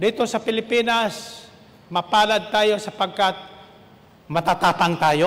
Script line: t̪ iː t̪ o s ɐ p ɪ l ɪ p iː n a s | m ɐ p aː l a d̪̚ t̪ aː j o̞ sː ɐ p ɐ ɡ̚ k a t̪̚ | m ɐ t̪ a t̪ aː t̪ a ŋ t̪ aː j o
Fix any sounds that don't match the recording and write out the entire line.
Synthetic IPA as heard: d̪ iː t̪ o s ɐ p ɪ l ɪ p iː n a s | m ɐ p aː l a d̪̚ t̪ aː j o̞ s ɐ p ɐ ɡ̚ k a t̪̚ | m ɐ t̪ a t̪ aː t̪ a ŋ t̪ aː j o